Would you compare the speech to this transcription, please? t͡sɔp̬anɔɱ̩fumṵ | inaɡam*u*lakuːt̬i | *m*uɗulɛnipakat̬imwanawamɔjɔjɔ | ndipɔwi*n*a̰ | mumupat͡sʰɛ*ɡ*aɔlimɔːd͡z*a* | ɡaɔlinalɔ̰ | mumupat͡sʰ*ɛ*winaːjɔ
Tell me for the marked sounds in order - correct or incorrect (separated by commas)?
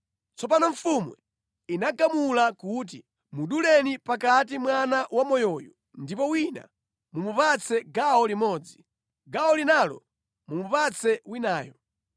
correct, correct, correct, correct, incorrect, correct